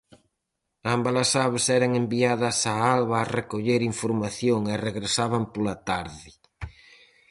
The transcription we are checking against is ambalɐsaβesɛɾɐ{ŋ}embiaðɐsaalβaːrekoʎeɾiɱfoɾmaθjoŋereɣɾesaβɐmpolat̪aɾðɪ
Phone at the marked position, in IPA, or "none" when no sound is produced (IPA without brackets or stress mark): ŋ